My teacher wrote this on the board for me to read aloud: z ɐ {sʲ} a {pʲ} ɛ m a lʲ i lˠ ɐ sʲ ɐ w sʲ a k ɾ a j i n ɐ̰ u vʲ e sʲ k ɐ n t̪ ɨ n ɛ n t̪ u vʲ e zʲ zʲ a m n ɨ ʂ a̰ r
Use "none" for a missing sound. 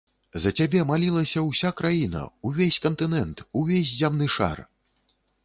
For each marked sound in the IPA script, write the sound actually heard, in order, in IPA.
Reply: t͡sʲ, bʲ

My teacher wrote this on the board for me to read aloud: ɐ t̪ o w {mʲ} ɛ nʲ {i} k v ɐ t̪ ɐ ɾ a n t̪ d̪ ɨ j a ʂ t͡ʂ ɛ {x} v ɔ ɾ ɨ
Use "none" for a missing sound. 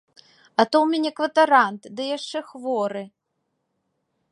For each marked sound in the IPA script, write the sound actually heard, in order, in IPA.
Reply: mʲ, ɛ, x

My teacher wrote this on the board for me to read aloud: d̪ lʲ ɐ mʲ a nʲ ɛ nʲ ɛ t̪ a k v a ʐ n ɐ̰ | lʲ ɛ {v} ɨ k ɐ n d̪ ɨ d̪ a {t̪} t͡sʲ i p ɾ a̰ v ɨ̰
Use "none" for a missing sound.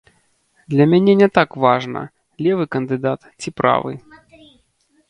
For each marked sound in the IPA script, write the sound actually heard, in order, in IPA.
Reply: v, t̪

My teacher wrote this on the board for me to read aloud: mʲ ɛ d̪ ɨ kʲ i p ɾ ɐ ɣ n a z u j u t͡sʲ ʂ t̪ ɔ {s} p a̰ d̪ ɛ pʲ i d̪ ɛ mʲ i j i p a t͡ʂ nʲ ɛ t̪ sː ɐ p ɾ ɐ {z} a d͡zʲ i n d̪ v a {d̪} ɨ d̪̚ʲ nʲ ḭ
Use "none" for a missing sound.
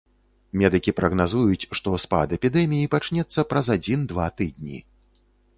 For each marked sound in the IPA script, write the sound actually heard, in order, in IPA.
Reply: s, z, t̪

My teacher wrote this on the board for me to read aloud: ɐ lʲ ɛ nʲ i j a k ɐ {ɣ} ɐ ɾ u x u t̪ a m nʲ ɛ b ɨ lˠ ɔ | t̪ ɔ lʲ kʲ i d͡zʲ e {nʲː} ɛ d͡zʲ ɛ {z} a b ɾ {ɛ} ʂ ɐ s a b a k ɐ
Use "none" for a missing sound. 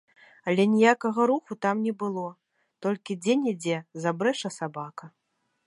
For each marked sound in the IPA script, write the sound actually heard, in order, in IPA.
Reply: ɣ, nʲ, z, ɛ

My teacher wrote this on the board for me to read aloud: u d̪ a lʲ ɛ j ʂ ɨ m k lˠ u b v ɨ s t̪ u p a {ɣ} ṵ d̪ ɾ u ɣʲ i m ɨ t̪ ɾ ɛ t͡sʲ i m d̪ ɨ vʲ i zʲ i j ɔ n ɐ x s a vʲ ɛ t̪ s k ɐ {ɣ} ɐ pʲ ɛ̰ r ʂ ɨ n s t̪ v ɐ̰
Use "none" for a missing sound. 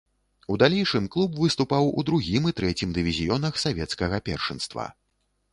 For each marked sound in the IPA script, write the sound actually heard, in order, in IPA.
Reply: w, ɣ

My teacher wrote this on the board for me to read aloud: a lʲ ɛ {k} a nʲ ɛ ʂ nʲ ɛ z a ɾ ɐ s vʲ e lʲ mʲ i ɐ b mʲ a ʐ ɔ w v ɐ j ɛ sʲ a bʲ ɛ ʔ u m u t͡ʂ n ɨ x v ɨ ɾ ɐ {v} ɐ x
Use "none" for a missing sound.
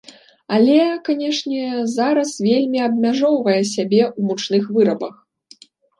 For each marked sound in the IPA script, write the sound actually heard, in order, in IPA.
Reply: k, b

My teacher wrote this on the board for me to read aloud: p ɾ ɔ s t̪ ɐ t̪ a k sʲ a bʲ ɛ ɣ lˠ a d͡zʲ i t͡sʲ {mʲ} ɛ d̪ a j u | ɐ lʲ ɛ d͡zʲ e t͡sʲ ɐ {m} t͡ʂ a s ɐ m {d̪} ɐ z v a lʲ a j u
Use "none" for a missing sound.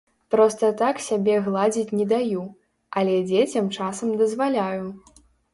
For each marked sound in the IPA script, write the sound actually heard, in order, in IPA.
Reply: nʲ, m, d̪

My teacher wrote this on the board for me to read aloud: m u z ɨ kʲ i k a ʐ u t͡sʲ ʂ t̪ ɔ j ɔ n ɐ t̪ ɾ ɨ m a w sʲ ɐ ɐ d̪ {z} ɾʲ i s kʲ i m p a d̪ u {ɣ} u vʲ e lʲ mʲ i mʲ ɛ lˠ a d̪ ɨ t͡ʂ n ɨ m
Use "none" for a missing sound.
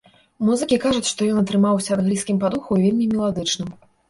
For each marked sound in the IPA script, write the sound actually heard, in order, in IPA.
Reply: ɣ, x

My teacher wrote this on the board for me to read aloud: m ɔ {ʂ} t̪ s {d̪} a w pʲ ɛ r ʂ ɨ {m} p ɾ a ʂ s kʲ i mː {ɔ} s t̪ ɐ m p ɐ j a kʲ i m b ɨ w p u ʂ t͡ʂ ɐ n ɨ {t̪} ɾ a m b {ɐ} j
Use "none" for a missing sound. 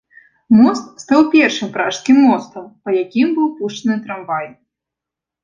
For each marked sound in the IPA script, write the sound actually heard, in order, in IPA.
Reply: s, t̪, m, ɔ, t̪, a

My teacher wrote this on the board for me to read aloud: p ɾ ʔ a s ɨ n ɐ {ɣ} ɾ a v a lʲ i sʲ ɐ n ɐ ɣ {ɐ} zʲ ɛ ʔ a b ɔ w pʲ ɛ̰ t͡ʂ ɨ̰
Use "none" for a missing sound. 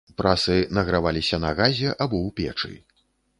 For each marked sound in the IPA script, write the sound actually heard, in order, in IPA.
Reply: ɣ, a

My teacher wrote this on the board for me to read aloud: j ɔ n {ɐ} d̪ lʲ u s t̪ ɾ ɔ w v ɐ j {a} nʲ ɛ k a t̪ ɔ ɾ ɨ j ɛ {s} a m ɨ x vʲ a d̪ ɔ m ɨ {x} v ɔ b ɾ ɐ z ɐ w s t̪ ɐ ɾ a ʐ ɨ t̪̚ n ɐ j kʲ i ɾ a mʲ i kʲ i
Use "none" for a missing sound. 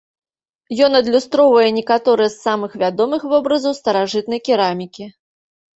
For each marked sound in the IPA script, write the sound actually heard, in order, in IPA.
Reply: ɐ, ɛ, sː, x

